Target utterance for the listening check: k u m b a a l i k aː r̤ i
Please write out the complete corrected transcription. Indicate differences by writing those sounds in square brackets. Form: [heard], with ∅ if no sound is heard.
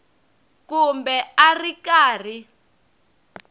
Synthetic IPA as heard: k u m b [ɛ] a [r] i k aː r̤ i

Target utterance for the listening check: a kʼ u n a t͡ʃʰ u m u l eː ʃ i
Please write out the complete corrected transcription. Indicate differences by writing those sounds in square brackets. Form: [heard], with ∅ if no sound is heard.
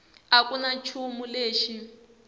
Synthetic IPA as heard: a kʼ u n a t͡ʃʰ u m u l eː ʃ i

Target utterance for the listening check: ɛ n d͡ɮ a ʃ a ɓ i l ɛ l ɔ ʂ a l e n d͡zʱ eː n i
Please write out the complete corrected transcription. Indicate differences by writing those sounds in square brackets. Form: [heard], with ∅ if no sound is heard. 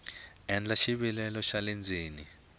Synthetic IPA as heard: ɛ n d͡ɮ a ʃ [i] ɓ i l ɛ l ɔ [ʃ] a l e n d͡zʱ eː n i

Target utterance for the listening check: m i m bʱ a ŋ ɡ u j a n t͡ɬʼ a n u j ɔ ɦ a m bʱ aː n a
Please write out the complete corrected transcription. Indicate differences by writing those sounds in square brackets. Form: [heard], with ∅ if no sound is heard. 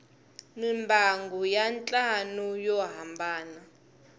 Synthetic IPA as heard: m i m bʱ a ŋ ɡ u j a n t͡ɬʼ a n u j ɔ ɦ a m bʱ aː n a

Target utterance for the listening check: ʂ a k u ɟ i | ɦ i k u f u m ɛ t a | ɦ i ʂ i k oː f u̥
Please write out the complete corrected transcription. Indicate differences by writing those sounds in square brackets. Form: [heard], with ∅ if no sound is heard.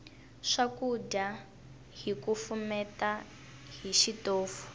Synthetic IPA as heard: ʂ a k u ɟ [a] | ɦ i k u f u m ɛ t a | ɦ i [ʃ] i [t] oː f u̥

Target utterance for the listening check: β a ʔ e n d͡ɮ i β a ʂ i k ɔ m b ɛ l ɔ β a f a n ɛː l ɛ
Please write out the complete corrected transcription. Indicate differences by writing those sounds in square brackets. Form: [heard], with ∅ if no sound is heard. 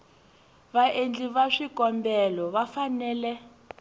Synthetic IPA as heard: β a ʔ e n d͡ɮ i β a ʂ i k ɔ m b ɛ l ɔ β a f a n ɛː l ɛ

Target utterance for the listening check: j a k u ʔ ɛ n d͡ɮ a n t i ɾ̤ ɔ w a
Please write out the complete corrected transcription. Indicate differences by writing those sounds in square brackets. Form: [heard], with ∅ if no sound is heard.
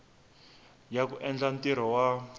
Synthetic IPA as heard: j a k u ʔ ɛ n d͡ɮ a n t i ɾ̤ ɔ w a

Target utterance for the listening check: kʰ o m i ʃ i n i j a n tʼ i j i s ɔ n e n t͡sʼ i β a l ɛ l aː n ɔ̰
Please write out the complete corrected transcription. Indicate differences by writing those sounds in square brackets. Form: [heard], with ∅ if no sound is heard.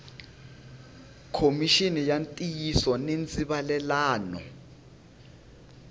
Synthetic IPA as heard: kʰ o m i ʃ i n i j a n tʼ i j i s ɔ n e n t͡sʼ i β a l ɛ l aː n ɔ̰

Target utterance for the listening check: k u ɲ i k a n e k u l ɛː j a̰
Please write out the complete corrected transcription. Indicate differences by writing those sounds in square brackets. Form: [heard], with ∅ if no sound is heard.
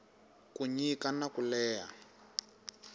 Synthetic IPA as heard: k u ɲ i k a n [a] k u l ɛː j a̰

